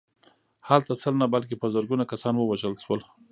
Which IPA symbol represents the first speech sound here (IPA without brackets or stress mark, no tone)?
h